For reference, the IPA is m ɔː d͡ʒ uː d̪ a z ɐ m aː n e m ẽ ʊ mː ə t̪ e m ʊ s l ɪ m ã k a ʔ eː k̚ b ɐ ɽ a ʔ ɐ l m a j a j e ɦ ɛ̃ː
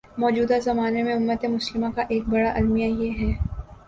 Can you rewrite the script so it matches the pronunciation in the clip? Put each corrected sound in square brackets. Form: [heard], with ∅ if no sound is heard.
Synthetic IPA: m ɔː d͡ʒ uː d̪ a z ɐ m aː n e m ẽ ʊ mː ə t̪ e m ʊ s l ɪ m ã k a ʔ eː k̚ b ɐ ɽ a ʔ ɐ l m [i] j a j e ɦ [ɛː]